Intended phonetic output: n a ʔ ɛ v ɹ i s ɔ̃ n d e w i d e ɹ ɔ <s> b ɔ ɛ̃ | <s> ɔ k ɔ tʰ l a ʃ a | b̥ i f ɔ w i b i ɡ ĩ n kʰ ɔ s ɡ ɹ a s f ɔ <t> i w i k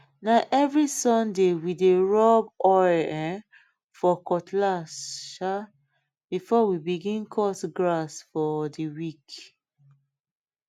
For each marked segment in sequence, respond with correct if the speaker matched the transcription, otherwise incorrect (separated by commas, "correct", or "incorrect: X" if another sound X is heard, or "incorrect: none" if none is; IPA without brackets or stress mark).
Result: incorrect: none, incorrect: f, incorrect: d